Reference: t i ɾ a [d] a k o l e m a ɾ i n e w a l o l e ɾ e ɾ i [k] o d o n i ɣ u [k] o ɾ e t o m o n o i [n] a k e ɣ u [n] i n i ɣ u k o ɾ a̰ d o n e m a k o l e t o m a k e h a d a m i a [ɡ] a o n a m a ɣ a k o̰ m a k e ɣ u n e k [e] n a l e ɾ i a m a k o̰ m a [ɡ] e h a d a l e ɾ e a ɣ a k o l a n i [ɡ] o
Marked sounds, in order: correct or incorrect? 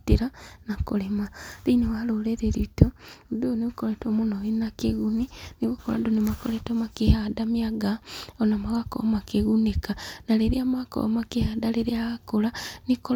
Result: incorrect: n, incorrect: t, correct, correct, correct, correct, incorrect: a, incorrect: k, incorrect: k

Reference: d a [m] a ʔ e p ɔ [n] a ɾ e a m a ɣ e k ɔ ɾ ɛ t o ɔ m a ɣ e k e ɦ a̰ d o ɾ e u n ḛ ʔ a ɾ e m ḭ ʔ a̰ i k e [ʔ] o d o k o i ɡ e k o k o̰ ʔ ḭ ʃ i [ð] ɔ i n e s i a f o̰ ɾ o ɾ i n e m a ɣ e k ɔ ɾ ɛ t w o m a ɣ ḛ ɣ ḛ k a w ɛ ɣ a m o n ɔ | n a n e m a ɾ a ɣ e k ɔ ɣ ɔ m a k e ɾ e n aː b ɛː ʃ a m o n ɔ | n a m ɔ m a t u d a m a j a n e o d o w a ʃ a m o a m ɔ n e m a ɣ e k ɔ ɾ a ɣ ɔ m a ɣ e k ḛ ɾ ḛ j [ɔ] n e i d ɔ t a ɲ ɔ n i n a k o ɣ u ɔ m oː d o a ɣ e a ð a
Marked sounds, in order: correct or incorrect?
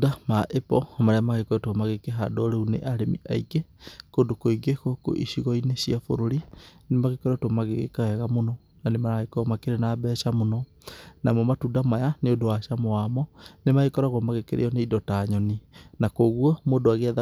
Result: correct, incorrect: m, incorrect: k, incorrect: ɣ, correct

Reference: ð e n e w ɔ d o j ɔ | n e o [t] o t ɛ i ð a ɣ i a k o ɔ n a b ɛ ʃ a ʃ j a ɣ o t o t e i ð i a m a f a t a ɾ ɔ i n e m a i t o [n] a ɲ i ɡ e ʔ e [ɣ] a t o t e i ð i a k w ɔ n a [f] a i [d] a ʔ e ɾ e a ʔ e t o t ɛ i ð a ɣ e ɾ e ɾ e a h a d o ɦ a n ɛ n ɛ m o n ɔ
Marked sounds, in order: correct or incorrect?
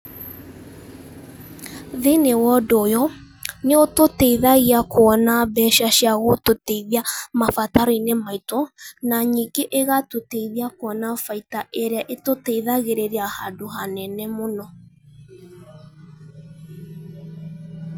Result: correct, correct, correct, correct, incorrect: t

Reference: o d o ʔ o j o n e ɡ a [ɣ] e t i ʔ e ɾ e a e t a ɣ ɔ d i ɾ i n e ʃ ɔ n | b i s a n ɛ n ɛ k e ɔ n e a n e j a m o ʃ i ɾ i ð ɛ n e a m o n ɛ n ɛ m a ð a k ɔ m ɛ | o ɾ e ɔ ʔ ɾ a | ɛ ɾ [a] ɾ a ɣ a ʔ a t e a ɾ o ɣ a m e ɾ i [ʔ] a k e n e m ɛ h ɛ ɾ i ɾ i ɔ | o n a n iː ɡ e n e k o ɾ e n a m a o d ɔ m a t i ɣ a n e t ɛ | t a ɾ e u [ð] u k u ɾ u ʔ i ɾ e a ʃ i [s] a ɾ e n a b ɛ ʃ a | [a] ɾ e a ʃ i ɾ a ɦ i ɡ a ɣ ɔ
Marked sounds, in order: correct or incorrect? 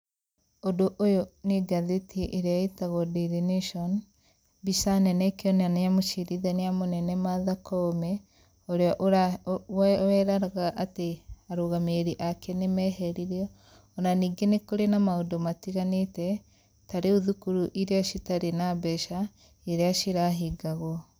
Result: incorrect: ð, correct, correct, correct, incorrect: t, incorrect: e

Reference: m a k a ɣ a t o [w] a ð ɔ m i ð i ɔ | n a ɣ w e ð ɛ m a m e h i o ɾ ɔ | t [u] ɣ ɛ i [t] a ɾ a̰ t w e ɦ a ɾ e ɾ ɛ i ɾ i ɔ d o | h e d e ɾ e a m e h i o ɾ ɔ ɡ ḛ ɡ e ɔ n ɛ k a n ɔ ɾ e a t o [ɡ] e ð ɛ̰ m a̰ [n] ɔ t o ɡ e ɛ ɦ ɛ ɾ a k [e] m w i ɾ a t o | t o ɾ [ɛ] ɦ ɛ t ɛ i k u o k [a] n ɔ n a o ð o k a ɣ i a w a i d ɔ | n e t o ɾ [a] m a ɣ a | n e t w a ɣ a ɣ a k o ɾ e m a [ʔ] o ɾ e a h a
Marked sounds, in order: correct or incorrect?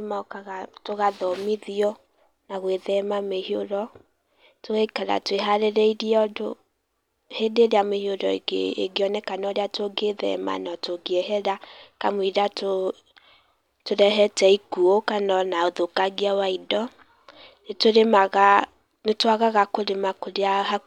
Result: incorrect: ɣ, incorrect: o, incorrect: k, correct, correct, incorrect: a, correct, correct, incorrect: e, incorrect: k

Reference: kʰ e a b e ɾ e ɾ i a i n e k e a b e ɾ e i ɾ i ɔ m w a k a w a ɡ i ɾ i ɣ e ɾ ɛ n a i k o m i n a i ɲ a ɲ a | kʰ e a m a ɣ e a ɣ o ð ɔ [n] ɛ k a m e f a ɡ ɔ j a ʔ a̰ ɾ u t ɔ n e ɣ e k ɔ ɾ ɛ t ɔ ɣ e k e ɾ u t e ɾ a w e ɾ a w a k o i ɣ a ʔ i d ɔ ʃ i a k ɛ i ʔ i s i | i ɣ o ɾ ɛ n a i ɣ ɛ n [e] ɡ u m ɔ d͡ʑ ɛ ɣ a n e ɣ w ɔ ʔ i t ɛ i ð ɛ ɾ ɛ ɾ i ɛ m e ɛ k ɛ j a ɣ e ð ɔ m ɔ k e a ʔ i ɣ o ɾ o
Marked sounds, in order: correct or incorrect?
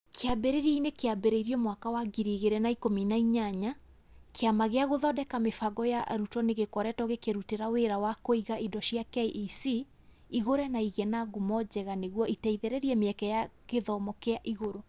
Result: incorrect: d, incorrect: a

